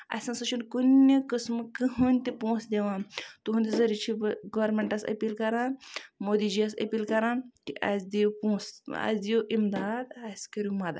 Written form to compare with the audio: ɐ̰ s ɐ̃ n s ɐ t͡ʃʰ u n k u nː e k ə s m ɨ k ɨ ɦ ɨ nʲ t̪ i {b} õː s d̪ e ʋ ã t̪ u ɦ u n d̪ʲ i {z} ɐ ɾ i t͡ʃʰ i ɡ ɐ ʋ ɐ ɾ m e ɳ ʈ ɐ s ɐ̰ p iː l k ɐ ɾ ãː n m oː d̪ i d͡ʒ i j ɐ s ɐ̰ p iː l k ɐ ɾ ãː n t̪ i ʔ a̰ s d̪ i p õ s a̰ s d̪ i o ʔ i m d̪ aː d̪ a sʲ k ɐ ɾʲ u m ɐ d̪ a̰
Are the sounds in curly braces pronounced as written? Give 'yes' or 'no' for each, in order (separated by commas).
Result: no, yes